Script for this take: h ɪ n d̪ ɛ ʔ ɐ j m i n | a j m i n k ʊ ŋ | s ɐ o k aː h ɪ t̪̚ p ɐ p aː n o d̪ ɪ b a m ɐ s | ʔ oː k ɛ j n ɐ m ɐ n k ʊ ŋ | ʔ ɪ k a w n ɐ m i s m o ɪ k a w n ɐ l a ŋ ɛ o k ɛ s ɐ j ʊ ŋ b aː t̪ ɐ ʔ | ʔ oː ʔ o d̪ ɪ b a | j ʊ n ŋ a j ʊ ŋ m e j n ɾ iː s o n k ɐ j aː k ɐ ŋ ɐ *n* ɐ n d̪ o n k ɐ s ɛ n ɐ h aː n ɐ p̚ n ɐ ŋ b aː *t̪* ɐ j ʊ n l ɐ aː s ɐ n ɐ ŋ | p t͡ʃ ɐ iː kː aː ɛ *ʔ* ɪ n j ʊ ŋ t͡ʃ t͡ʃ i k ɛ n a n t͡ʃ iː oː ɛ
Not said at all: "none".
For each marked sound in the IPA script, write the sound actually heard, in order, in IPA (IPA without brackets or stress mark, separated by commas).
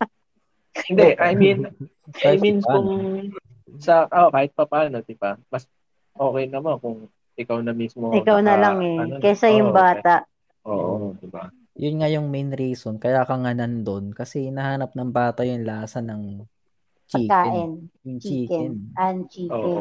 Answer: n, t̪, ʔ